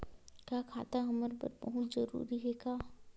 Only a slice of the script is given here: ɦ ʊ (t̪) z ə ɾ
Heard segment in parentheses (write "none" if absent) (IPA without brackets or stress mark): t̪